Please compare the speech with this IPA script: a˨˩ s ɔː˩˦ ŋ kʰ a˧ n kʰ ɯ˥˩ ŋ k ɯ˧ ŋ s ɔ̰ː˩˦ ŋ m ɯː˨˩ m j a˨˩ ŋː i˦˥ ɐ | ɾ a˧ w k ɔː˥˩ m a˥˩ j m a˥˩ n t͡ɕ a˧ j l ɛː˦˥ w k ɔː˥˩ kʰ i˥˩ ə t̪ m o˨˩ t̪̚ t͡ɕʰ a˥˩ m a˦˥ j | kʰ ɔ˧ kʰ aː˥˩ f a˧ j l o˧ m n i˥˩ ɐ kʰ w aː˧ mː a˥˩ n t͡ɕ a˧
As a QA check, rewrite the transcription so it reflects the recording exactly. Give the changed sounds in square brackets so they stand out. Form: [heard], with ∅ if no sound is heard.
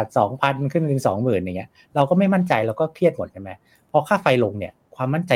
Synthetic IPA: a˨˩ s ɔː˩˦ ŋ [pʰ] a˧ n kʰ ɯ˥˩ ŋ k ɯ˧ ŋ s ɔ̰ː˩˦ ŋ m ɯː˨˩ [n] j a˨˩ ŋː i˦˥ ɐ | ɾ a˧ w k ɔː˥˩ m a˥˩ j m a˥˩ n t͡ɕ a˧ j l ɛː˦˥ w k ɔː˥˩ kʰ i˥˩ ə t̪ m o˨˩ t̪̚ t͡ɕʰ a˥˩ m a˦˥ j | [pʰ] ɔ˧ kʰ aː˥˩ f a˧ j l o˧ [ŋ] n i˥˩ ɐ kʰ w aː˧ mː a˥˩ n t͡ɕ a˧